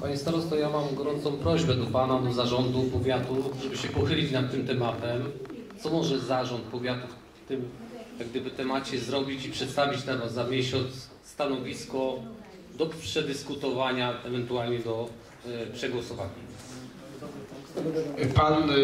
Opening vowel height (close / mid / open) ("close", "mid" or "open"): open